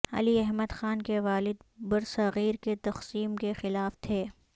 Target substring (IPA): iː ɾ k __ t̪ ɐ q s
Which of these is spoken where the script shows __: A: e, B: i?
A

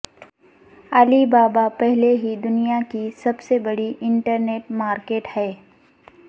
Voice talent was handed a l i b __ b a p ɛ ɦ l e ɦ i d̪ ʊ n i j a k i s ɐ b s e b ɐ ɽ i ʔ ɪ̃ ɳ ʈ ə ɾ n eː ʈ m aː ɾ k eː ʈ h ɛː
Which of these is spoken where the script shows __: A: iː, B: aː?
B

